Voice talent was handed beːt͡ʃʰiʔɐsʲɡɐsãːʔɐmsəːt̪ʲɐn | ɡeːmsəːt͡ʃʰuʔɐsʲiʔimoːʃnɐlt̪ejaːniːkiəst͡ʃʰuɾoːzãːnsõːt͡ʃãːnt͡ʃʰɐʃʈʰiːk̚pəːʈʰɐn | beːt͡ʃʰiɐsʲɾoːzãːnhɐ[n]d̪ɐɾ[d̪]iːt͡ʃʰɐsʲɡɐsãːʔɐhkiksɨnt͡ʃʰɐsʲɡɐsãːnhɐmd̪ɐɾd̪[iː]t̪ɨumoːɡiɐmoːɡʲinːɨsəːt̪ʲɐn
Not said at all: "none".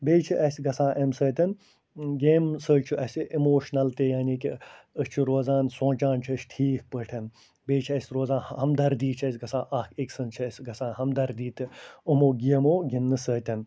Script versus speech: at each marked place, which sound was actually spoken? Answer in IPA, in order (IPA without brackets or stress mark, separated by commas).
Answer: m, d̪, iː